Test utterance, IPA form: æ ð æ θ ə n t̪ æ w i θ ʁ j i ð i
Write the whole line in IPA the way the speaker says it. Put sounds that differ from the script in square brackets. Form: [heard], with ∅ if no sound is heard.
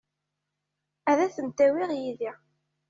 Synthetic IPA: æ ð æ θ ə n t̪ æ w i [∅] ʁ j i ð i